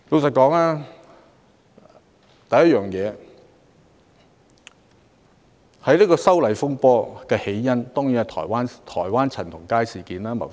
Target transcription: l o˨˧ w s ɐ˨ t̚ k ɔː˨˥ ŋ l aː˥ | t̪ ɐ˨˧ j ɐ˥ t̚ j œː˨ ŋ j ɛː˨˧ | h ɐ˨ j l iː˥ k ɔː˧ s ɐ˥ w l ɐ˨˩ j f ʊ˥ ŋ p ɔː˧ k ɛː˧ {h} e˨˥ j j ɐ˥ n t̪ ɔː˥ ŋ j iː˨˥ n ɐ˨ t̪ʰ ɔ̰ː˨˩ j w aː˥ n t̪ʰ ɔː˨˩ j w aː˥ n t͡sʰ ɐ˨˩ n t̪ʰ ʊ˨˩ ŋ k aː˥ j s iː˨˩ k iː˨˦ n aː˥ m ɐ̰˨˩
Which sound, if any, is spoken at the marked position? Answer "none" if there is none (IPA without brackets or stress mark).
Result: h